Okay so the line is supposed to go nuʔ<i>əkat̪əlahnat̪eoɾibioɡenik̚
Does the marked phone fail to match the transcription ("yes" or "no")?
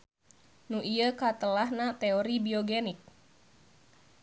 no